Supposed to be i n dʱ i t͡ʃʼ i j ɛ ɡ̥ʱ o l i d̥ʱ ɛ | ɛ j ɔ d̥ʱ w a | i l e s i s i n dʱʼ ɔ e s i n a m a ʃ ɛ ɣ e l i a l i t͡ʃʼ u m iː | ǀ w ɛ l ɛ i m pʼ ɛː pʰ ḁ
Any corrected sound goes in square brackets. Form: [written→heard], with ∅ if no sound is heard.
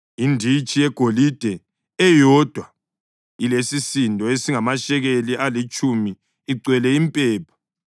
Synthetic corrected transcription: i n dʱ i t͡ʃʼ i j ɛ ɡ̥ʱ o l i d̥ʱ ɛ | ɛ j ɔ d̥ʱ w a | i l e s i s i n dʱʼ ɔ e s i [n→ŋ] a m a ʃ ɛ ɣ e l i a l i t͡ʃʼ u m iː | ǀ w ɛ l ɛ i m pʼ ɛː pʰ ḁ